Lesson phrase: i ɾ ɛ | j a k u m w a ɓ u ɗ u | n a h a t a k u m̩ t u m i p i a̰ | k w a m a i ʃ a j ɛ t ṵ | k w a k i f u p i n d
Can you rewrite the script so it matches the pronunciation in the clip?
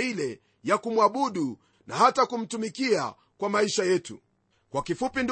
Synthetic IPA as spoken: i l ɛ | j a k u m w a ɓ u ɗ u | n a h a t a k u m̩ t u m i k i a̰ | k w a m a i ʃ a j ɛ t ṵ | k w a k i f u p i n d